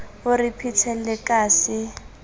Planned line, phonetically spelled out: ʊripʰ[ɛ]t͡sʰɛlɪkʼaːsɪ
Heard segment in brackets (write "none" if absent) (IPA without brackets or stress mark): i